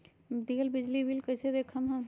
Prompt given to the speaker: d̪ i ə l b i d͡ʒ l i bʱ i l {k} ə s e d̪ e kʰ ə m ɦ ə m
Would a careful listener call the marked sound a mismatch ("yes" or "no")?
no